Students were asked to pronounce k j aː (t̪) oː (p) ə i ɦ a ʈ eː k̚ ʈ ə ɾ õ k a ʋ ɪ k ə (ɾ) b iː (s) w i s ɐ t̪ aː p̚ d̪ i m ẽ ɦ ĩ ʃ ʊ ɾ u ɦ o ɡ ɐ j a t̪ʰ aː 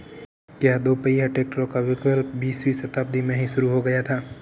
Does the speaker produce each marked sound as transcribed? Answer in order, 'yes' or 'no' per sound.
no, yes, no, yes

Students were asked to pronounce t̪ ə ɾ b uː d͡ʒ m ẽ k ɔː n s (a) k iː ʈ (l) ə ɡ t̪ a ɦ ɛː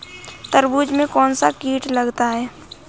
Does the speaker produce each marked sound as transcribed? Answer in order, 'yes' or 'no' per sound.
yes, yes

